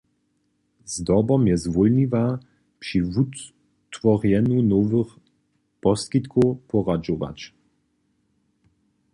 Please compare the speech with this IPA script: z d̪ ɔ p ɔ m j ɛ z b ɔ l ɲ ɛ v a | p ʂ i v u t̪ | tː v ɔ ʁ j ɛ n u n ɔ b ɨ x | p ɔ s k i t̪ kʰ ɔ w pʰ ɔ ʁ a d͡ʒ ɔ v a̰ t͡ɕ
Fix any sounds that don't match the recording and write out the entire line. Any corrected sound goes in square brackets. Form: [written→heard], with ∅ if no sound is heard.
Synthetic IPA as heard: z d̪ ɔ [p→b] ɔ m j ɛ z [b→v] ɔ l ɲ [ɛ→i] v a | p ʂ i v u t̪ | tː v ɔ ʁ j ɛ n u n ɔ [b→v] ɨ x | p ɔ s k i t̪ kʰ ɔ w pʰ ɔ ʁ a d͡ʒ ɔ v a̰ t͡ɕ